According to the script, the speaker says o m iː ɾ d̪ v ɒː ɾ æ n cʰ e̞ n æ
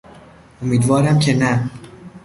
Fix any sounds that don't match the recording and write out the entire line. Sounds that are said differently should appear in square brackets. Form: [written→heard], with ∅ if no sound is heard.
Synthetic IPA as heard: o m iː [ɾ→∅] d̪ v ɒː ɾ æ [n→m] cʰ e̞ n æ